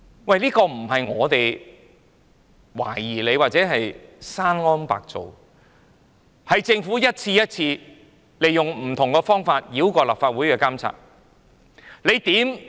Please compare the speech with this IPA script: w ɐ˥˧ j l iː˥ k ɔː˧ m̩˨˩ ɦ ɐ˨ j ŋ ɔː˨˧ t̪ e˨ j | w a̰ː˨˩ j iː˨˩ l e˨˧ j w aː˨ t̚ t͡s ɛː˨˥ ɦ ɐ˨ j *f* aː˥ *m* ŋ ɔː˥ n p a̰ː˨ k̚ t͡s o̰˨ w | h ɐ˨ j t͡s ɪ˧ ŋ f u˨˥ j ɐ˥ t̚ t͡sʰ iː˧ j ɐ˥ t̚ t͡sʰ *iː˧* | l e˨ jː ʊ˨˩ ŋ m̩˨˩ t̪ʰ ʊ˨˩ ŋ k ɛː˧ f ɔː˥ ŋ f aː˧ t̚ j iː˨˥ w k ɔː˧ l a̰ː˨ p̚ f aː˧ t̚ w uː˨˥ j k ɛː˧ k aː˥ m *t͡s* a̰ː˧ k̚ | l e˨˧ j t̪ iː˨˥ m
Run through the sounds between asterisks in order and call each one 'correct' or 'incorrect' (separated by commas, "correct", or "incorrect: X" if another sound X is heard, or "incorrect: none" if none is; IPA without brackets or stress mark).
incorrect: s, incorrect: n, correct, incorrect: t͡sʰ